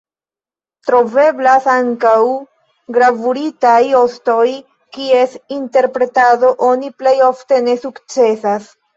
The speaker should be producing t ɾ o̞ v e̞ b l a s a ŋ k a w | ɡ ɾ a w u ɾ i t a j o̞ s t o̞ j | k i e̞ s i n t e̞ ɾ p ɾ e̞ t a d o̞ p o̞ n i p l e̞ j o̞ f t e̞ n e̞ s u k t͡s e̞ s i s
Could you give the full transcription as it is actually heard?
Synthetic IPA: t ɾ o̞ v e̞ b l a s a ŋ k a w | ɡ ɾ a v u ɾ i t a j o̞ s t o̞ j | k i e̞ s i n t e̞ ɾ p ɾ e̞ t a d o̞ ʔ o̞ n i p l e̞ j o̞ f t e̞ n e̞ s u k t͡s e̞ s a s